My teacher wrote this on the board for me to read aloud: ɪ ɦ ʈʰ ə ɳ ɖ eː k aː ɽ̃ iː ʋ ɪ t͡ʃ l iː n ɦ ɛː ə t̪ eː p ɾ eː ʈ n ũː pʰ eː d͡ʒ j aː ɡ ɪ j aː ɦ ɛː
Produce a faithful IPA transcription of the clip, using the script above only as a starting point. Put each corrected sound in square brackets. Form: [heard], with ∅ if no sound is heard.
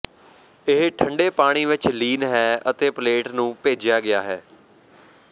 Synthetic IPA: ɪ ɦ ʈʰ ə ɳ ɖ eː [p] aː ɽ̃ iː ʋ ɪ t͡ʃ l iː n ɦ ɛː ə t̪ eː p [l] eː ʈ n ũː [p] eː d͡ʒ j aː ɡ ɪ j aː ɦ ɛː